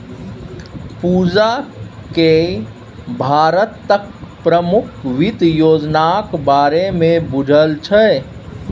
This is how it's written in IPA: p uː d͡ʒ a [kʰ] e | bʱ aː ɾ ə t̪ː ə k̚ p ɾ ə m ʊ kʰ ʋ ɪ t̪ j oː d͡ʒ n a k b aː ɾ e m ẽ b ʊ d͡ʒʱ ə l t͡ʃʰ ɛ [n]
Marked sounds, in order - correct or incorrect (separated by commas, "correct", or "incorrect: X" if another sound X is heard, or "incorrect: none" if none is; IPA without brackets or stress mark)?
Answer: incorrect: k, incorrect: none